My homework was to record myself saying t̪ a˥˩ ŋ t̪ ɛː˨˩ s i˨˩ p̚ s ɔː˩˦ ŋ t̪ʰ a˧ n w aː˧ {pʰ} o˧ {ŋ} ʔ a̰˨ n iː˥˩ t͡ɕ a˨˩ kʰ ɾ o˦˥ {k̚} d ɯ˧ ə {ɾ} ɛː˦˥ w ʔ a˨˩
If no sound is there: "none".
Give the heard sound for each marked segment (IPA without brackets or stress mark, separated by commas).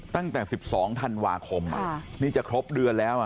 kʰ, m, p̚, l